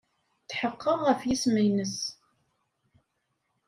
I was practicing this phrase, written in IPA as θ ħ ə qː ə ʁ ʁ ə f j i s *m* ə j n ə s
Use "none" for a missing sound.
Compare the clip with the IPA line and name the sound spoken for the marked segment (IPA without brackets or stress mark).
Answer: m